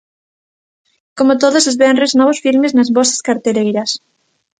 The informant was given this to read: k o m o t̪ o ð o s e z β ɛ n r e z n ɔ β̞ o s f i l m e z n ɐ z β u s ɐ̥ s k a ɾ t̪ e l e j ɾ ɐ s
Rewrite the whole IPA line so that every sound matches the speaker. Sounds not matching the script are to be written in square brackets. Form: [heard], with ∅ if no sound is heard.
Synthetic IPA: k o m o t̪ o ð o s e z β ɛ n r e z n ɔ β̞ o s f i l m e z n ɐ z β [ɔ] s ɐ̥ s k a ɾ t̪ e l e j ɾ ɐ s